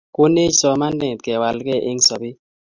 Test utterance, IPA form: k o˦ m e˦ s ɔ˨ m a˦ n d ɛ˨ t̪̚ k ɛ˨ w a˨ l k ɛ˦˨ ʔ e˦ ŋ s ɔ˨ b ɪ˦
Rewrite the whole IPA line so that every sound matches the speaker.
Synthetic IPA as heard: k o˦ n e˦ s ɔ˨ m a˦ n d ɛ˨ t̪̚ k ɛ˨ w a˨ l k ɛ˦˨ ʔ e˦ ŋ s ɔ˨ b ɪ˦